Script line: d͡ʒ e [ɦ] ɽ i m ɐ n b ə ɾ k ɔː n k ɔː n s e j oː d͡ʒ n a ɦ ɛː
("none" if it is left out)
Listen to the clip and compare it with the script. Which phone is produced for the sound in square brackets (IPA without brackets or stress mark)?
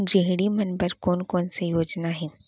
ɦ